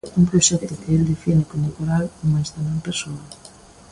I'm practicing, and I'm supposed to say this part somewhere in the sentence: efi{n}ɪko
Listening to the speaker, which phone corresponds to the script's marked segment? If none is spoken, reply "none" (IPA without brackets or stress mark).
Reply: n